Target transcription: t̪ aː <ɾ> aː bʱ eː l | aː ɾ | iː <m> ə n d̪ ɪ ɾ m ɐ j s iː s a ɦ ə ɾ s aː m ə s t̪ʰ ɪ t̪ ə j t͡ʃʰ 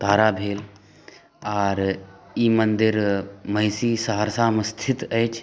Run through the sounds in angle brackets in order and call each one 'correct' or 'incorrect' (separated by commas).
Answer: correct, correct